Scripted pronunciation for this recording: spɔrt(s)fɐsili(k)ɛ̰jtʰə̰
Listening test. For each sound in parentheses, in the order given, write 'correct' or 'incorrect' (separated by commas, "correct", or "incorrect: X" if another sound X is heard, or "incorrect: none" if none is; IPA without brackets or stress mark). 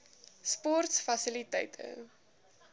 correct, incorrect: t